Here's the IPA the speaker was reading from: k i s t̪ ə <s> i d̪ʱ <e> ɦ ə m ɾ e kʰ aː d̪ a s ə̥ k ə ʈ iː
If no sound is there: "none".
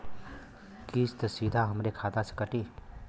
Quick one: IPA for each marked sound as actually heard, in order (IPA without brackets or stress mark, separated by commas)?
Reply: s, a